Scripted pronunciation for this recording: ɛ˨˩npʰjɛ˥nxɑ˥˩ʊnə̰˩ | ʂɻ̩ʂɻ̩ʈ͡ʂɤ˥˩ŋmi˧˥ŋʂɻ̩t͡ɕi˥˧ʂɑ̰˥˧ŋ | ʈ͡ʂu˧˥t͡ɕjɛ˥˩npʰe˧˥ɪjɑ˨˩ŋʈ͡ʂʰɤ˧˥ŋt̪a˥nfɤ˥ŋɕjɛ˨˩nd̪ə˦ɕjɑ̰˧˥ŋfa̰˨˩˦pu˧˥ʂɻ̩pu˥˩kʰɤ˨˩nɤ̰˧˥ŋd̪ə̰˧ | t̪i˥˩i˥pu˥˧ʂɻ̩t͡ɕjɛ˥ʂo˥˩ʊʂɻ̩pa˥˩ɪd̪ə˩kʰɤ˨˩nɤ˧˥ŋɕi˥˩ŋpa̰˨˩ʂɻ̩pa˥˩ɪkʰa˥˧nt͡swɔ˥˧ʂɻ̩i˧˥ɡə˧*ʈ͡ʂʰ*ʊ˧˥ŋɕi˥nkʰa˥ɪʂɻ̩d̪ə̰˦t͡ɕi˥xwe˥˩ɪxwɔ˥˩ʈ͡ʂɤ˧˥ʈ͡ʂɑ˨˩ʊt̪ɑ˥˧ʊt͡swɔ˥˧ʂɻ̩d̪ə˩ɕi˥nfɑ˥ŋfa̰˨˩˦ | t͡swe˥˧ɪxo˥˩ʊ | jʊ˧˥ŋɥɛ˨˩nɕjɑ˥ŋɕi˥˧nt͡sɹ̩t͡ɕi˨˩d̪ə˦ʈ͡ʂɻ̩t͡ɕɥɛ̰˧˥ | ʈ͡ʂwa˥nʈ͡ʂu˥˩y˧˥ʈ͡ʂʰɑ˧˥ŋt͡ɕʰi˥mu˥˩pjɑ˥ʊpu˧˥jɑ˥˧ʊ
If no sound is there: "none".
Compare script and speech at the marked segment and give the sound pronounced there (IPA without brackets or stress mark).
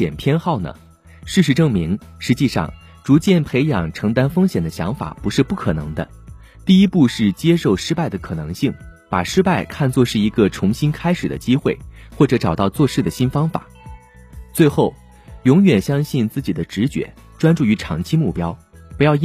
ʈ͡ʂʰ